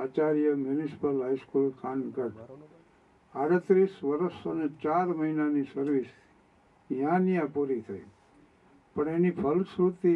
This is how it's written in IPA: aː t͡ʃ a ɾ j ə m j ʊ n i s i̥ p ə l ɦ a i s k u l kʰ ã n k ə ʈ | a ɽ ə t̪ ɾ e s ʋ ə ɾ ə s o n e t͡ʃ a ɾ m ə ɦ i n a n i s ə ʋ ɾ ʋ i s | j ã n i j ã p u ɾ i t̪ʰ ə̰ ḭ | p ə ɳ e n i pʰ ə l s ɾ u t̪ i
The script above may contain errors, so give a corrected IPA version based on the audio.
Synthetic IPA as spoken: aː t͡ʃ a ɾ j ə m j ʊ n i s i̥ p ə l ɦ a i s k u l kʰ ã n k ə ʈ | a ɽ ə t̪ ɾ i s ʋ ə ɾ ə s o n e t͡ʃ a ɾ m ə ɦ i n a n i s ə ɾ ʋ i s | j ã n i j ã p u ɾ i t̪ʰ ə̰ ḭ | p ə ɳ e n i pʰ ə l s ɾ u t̪ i